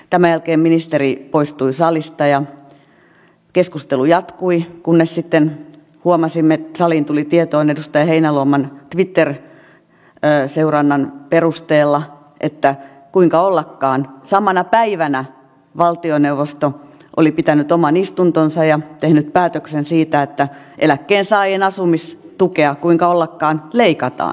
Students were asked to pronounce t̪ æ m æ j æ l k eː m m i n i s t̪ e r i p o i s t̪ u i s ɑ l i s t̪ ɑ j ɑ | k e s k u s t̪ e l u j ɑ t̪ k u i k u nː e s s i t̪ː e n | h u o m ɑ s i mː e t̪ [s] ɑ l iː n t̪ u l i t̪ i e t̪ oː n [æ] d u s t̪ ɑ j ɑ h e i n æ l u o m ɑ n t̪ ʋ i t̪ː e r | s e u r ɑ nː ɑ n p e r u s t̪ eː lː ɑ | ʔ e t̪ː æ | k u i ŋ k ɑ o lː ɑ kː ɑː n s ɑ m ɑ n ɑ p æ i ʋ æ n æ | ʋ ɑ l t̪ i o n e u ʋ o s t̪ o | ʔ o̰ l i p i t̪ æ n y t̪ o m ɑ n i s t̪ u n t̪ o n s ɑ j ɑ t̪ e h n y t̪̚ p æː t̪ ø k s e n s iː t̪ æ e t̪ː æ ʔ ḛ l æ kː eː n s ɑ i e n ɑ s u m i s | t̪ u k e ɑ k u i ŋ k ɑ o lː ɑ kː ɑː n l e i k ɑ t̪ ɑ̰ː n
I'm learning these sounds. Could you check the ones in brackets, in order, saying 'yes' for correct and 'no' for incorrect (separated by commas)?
yes, no